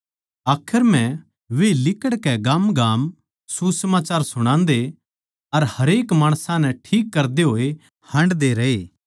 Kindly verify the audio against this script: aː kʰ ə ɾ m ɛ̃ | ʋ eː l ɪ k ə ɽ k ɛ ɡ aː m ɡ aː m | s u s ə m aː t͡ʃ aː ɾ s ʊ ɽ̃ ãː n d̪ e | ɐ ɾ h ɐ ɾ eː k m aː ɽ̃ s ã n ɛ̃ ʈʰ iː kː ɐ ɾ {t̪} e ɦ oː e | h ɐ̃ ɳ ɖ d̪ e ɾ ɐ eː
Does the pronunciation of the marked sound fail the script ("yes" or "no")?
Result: yes